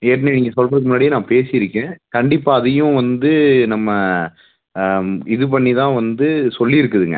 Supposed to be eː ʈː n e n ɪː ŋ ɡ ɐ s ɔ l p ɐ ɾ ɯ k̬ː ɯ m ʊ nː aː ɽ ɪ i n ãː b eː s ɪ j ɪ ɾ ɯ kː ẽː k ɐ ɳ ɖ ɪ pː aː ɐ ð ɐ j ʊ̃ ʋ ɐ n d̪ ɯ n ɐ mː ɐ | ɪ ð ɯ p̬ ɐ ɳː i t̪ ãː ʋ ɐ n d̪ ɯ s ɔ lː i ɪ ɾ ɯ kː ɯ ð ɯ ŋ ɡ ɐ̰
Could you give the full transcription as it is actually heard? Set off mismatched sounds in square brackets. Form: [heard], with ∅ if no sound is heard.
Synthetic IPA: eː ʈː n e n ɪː ŋ ɡ ɐ s ɔ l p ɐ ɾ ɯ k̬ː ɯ m ʊ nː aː ɽ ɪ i n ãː [p] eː s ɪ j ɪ ɾ ɯ kː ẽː k ɐ ɳ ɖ ɪ pː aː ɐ ð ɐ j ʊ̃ ʋ ɐ n d̪ ɯ n ɐ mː ɐ | ɪ ð ɯ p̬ ɐ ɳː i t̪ ãː ʋ ɐ n d̪ ɯ s ɔ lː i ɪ ɾ ɯ kː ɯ ð ɯ ŋ ɡ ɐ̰

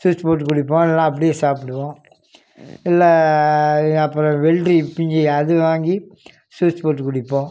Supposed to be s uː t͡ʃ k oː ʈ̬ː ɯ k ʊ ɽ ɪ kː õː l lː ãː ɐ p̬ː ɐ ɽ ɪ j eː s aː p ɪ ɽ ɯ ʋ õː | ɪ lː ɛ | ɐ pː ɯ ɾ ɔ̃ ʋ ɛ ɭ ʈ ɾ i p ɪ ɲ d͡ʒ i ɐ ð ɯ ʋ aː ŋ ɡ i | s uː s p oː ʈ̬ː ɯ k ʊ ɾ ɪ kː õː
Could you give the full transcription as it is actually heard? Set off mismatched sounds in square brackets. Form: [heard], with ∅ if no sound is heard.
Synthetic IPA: s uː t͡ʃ [p] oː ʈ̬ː ɯ k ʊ ɽ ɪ [pː] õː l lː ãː ɐ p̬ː ɐ ɽ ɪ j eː s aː p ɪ ɽ ɯ ʋ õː | ɪ lː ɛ | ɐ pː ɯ ɾ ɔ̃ ʋ ɛ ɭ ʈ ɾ i p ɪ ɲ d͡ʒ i ɐ ð ɯ ʋ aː ŋ ɡ i | s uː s p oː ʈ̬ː ɯ k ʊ [ɽ] ɪ [pː] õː

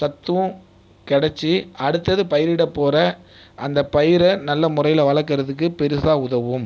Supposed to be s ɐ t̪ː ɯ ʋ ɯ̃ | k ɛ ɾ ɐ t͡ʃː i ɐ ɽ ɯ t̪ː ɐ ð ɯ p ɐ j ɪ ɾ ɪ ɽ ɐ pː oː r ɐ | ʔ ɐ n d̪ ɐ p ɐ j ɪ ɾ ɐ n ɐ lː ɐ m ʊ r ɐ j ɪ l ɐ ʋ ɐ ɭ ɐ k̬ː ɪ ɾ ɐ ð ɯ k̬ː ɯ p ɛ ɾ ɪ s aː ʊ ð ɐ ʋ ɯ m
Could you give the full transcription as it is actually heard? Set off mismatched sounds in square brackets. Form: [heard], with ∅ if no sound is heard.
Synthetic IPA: s ɐ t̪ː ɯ ʋ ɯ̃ | k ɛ [ɽ] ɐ t͡ʃː i ɐ ɽ ɯ t̪ː ɐ ð ɯ p ɐ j ɪ ɾ ɪ ɽ ɐ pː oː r ɐ | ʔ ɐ n d̪ ɐ p ɐ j ɪ ɾ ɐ n ɐ lː ɐ m ʊ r ɐ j ɪ l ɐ ʋ ɐ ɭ ɐ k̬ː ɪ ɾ ɐ ð ɯ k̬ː ɯ p ɛ ɾ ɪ s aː ʊ ð ɐ ʋ ɯ m

